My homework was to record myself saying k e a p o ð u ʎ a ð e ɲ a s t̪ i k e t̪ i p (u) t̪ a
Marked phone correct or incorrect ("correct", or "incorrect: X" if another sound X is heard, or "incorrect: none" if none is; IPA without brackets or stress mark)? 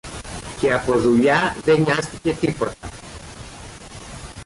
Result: incorrect: o